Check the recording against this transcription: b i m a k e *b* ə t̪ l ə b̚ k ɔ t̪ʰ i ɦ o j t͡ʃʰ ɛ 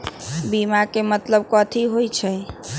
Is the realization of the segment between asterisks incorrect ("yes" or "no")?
yes